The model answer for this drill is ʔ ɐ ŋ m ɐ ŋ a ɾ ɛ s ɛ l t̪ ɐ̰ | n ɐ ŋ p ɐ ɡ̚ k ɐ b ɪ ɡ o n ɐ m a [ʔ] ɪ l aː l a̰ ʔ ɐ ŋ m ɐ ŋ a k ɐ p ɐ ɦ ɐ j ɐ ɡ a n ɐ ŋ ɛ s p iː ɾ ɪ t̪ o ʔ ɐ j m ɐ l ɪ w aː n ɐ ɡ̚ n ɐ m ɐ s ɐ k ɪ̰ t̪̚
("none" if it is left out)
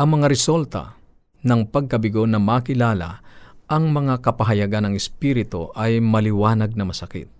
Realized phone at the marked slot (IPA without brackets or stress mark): k